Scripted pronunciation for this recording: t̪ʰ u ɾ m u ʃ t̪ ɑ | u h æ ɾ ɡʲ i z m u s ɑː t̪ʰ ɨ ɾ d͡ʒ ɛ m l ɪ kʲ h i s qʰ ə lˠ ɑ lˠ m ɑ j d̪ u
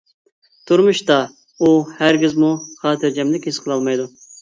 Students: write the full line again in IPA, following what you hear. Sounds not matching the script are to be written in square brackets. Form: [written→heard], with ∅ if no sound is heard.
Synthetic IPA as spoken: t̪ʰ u ɾ m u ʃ t̪ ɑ | u h æ ɾ ɡʲ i z m u [s→χ] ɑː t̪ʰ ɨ ɾ d͡ʒ ɛ m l ɪ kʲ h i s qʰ ə lˠ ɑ lˠ m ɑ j d̪ u